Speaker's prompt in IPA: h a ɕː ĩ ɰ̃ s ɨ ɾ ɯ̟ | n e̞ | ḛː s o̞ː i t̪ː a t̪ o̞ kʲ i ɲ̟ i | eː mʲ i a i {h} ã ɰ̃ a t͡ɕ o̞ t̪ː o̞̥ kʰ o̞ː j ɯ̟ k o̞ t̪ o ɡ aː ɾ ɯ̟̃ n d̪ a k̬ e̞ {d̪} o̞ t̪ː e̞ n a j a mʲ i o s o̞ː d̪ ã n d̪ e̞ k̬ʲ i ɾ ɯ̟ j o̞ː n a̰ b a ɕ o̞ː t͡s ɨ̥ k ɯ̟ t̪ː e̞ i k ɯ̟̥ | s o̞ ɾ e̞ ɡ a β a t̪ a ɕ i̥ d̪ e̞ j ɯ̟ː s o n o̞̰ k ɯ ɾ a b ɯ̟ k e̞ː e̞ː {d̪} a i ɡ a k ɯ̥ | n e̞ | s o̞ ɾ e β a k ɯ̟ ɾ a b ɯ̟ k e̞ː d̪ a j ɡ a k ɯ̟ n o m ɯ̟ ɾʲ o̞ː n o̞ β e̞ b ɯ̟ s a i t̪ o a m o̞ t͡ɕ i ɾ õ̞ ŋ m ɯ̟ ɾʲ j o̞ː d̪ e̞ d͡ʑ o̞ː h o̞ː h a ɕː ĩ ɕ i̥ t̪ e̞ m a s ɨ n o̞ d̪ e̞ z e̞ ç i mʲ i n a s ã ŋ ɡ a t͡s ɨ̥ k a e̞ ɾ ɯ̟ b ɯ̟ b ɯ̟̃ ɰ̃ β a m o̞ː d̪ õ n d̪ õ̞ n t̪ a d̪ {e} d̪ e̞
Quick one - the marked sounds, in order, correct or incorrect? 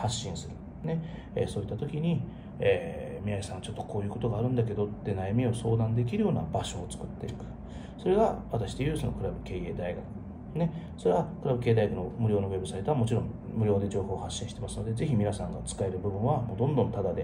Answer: incorrect: s, correct, correct, incorrect: a

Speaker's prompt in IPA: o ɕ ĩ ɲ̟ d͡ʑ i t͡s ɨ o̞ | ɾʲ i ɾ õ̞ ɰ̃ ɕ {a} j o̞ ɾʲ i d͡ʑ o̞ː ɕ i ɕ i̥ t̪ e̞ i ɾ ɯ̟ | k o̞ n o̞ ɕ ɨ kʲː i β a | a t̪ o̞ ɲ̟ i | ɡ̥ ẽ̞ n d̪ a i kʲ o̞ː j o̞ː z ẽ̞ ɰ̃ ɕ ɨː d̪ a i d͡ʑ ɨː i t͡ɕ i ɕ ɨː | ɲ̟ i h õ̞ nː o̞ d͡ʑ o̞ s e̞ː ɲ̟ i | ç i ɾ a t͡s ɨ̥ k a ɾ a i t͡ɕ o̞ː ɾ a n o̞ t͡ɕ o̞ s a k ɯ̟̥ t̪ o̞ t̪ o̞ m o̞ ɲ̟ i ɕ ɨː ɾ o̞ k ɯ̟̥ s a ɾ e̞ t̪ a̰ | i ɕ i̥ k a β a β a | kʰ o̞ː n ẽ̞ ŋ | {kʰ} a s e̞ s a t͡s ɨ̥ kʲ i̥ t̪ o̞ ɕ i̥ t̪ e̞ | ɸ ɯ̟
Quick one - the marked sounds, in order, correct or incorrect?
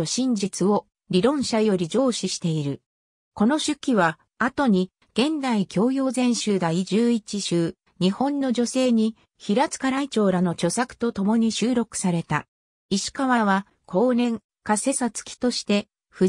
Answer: correct, incorrect: k

